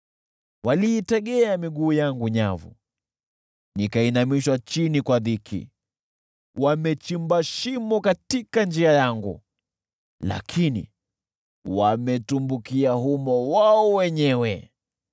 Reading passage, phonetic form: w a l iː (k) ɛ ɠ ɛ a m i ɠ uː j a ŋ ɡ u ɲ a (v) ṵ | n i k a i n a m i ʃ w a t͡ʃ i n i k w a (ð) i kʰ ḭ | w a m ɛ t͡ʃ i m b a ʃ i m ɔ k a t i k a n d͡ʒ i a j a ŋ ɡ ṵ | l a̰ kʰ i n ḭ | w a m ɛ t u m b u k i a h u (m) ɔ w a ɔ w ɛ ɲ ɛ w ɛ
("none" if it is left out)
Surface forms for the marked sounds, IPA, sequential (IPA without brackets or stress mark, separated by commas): t, v, ð, m